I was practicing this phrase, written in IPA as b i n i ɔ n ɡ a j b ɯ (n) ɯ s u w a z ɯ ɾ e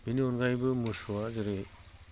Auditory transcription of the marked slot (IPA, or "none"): m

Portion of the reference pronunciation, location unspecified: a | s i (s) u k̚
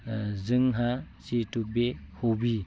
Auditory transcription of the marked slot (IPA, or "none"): t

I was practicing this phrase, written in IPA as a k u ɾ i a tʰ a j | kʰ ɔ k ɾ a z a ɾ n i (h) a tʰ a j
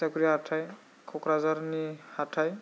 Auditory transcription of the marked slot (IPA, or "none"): h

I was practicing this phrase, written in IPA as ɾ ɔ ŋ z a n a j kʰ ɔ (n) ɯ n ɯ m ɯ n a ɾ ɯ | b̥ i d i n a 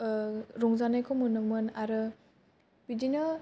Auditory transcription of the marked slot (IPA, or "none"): m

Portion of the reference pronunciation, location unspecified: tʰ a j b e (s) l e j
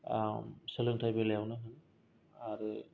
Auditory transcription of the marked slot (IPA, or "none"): none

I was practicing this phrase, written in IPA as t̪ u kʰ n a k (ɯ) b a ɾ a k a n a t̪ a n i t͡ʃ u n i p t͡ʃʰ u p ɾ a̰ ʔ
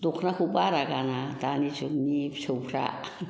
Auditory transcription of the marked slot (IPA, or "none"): u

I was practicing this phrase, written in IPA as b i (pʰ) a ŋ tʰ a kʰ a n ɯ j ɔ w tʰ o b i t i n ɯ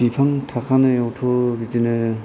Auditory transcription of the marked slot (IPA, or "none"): pʰ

